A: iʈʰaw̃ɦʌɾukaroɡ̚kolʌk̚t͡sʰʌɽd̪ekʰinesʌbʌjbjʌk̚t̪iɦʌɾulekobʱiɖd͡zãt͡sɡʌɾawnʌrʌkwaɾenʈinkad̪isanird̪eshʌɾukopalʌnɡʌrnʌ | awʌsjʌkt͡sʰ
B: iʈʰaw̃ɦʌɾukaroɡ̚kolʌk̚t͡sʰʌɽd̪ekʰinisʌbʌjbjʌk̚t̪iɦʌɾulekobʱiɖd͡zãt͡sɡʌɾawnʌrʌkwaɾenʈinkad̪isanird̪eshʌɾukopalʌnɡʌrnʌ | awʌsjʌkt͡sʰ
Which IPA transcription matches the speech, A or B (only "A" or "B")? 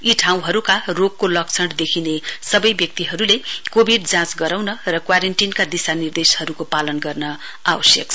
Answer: A